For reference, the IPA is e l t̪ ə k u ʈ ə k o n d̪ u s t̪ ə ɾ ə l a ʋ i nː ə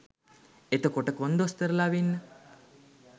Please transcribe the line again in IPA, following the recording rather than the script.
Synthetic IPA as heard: e t̪ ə k o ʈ ə k o n d̪ o s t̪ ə ɾ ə l a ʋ i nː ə